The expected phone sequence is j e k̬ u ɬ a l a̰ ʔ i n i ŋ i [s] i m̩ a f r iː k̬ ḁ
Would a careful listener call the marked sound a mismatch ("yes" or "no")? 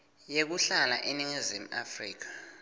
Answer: yes